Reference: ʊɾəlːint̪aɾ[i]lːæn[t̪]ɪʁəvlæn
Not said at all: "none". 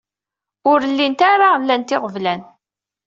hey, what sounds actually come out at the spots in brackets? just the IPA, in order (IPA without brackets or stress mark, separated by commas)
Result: a, t̪